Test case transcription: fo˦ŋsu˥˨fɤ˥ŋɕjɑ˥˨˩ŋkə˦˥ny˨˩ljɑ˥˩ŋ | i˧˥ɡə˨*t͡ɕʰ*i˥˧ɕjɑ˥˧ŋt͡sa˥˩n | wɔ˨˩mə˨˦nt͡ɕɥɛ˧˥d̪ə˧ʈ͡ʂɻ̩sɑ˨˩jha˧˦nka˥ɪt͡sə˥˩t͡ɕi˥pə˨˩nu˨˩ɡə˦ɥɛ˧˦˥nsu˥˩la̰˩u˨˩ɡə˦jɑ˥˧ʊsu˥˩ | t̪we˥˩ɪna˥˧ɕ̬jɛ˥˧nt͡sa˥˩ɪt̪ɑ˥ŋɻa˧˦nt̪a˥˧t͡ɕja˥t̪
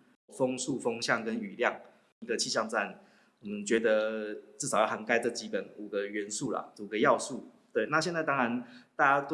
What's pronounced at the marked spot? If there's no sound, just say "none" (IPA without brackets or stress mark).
t͡ɕʰ